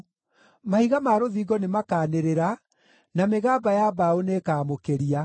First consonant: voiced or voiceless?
voiced